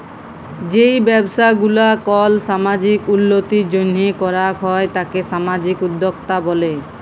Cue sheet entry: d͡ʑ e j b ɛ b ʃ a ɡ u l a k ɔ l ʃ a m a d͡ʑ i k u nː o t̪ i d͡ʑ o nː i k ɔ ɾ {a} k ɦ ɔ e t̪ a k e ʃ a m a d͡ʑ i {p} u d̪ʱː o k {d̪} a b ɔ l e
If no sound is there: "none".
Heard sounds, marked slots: a, k, t̪

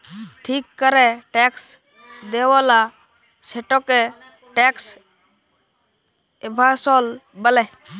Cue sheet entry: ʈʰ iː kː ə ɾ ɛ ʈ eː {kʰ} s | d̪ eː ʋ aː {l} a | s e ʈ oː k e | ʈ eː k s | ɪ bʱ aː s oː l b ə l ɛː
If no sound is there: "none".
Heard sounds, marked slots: k, l

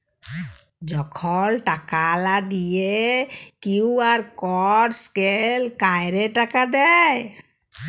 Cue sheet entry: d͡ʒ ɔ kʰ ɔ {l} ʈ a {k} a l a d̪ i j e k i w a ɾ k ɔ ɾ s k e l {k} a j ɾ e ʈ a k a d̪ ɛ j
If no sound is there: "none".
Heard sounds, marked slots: l, k, k

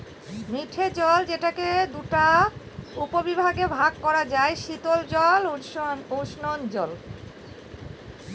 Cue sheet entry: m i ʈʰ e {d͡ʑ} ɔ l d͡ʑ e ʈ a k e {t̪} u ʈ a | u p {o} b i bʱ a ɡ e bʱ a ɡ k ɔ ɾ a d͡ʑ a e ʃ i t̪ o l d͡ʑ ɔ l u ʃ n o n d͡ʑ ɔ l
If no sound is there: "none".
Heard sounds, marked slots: d͡ʑ, d̪, o

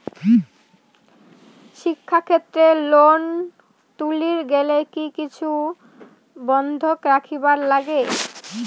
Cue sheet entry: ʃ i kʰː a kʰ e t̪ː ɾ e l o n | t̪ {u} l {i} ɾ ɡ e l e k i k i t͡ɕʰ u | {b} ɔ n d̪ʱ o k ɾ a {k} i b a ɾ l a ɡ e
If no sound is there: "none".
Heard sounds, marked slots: u, i, b, kʰ

